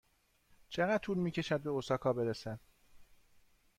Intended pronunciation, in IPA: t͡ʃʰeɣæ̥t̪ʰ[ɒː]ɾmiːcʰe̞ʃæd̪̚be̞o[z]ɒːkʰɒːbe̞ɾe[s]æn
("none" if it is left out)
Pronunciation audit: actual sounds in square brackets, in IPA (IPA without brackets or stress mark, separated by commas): uː, s, s